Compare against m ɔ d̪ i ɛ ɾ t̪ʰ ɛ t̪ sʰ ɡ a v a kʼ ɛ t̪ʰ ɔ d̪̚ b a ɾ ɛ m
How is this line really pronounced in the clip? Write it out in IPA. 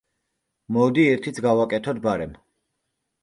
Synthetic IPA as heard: m ɔ d̪ i ɛ ɾ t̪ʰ i t̪ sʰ ɡ a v a kʼ ɛ t̪ʰ ɔ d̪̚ b a ɾ ɛ m